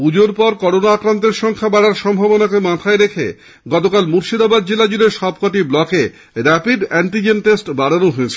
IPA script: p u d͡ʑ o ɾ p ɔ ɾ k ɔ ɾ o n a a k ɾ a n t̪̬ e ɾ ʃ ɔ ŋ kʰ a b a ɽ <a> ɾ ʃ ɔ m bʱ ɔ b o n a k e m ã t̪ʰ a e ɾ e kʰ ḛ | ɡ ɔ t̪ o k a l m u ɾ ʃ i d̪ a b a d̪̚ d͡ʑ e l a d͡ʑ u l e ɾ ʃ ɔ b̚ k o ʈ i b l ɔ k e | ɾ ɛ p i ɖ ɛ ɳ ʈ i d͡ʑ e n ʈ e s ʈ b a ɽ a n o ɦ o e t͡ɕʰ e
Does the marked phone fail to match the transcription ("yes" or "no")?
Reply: no